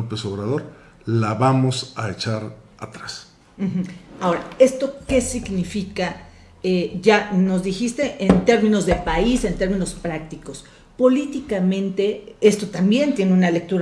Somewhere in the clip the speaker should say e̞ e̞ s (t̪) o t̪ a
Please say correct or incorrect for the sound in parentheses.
correct